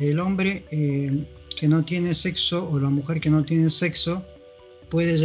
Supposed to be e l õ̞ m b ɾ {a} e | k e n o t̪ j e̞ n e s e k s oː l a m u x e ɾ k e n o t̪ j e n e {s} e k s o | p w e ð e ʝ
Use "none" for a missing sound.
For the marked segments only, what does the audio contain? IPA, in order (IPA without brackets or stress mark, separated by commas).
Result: e, s